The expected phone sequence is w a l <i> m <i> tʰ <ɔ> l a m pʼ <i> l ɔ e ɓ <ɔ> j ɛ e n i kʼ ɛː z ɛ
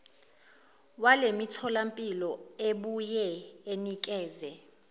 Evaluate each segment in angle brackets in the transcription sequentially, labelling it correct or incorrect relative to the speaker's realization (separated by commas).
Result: incorrect, correct, correct, correct, incorrect